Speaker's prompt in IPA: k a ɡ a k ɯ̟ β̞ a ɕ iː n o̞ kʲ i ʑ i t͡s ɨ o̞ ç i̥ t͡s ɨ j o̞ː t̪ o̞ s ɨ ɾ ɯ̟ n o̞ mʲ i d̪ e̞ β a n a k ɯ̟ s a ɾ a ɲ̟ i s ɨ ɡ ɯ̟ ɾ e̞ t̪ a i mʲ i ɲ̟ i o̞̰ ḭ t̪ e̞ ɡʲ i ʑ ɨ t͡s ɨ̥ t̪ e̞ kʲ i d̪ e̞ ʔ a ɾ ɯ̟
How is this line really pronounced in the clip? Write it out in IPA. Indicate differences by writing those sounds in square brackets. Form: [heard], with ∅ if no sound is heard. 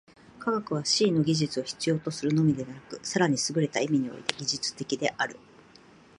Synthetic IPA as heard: k a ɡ a k ɯ̟ β̞ a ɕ iː n o̞ [ɡʲ] i ʑ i t͡s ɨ o̞ ç i̥ t͡s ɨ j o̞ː t̪ o̞ s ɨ ɾ ɯ̟ n o̞ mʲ i d̪ e̞ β a n a k ɯ̟ s a ɾ a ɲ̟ i s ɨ ɡ ɯ̟ ɾ e̞ t̪ a i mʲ i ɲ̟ i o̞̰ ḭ t̪ e̞ ɡʲ i ʑ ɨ t͡s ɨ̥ t̪ e̞ kʲ i d̪ e̞ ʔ a ɾ ɯ̟